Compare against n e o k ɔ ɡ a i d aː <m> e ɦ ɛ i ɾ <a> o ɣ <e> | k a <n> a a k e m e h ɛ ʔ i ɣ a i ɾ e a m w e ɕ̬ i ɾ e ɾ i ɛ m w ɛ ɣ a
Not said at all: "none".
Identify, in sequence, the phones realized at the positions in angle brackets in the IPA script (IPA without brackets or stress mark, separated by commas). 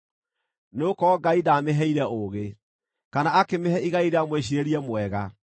m, ɛ, e, n